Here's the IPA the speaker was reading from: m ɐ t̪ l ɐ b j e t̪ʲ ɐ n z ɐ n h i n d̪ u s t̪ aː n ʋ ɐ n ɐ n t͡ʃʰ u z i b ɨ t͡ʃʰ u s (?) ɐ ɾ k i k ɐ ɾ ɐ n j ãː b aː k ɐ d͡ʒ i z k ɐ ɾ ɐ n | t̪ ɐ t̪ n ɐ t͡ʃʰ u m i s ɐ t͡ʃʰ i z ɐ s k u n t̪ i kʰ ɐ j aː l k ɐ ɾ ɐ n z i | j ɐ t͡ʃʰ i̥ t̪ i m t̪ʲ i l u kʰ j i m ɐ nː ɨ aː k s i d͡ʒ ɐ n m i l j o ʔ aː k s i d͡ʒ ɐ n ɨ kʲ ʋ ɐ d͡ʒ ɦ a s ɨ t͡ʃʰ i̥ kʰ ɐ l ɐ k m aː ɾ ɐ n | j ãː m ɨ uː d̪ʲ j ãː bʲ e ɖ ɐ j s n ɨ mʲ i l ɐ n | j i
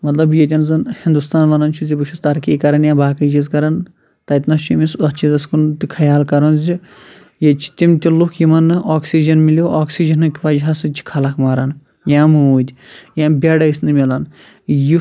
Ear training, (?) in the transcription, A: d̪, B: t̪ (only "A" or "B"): B